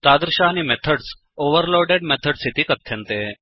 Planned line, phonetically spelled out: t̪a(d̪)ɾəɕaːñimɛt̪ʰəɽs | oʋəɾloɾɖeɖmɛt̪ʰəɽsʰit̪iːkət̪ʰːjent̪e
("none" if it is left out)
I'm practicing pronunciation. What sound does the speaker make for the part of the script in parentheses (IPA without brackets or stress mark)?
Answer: d̪